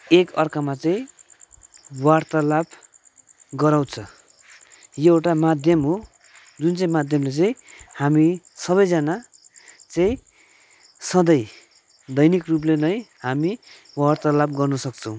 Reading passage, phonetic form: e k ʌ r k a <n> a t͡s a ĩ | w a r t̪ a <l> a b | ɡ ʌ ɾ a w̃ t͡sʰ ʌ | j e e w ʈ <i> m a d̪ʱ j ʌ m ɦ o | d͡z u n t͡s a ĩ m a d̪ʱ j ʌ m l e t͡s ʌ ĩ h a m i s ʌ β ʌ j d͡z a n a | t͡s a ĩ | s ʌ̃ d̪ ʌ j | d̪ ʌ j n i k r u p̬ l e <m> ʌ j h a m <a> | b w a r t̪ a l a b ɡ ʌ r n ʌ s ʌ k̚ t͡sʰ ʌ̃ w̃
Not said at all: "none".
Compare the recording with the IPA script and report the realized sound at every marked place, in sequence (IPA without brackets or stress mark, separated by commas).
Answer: m, l, a, n, i